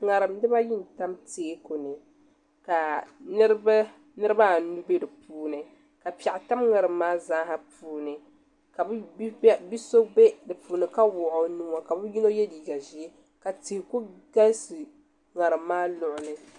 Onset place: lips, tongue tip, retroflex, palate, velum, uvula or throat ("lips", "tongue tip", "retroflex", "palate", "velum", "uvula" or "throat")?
velum